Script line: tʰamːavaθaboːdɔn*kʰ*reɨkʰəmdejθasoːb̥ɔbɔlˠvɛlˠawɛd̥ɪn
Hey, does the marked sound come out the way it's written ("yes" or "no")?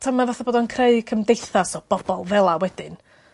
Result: yes